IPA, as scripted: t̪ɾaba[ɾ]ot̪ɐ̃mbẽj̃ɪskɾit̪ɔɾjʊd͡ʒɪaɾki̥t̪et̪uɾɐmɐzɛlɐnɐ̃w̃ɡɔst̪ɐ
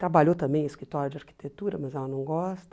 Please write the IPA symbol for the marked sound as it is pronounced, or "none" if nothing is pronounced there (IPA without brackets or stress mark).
ʎ